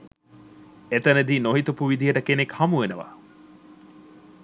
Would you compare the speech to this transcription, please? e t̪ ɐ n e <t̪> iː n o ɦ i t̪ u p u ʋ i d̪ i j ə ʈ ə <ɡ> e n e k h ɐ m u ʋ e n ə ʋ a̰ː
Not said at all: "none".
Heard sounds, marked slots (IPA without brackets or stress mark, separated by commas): d̪, k